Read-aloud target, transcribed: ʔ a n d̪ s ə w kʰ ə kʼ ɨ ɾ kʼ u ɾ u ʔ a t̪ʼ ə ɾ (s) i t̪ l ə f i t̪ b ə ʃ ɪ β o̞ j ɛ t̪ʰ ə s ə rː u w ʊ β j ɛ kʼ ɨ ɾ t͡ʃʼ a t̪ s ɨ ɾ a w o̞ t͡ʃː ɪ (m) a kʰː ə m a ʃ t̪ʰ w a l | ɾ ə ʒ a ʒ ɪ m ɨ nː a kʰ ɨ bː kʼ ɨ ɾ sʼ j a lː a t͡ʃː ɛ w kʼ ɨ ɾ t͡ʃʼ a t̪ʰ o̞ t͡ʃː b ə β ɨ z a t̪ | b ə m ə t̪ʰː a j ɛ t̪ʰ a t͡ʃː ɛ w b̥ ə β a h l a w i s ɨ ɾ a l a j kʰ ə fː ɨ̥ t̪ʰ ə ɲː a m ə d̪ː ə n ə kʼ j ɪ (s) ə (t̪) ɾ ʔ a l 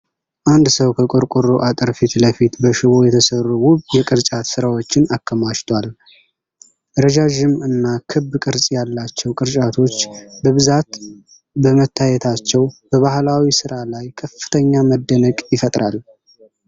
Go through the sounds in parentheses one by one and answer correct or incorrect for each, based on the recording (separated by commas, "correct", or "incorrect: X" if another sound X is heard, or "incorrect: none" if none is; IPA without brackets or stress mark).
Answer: incorrect: f, incorrect: n, incorrect: f, incorrect: t̪ʼ